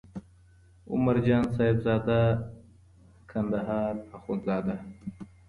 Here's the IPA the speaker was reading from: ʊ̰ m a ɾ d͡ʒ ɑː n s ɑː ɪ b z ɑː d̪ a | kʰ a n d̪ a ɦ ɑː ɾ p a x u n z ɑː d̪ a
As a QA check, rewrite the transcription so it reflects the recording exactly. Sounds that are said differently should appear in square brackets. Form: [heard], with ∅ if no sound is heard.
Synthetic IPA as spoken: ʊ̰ m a ɾ d͡ʒ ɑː n s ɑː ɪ b z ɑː d̪ a | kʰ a n d̪ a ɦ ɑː ɾ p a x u n z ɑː d̪ a